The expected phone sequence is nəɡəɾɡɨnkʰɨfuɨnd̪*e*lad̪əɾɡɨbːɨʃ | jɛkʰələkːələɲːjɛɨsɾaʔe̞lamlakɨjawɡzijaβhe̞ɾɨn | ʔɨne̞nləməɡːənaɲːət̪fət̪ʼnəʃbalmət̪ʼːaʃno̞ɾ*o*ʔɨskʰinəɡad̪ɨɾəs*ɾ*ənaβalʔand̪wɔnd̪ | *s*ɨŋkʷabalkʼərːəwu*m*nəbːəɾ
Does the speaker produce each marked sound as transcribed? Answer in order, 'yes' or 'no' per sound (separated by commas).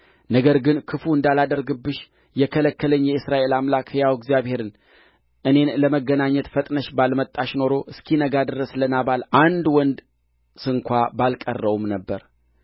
no, yes, no, yes, yes